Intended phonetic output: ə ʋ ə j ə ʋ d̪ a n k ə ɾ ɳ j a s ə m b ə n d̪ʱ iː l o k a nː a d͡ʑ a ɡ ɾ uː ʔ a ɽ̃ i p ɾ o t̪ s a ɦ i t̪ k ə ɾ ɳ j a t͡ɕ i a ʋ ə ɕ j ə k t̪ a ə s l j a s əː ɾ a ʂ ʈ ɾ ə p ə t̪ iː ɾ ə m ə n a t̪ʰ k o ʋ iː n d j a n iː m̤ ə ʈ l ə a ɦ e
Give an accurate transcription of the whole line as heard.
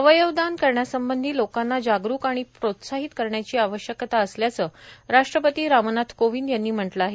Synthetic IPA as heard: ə ʋ ə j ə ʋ d̪ a n k ə ɾ ɳ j a s ə m b ə n d̪ʱ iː l o k a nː a d͡ʑ a ɡ ɾ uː k a ɽ̃ i p ɾ o t̪ s a ɦ i t̪ k ə ɾ ɳ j a t͡ɕ iː a ʋ ə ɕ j ə k t̪ a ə s l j a t͡s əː ɾ a ʂ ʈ ɾ ə p ə t̪ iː ɾ a m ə n a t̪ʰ k o ʋ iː n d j a nː iː m̤ ə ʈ l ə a ɦ e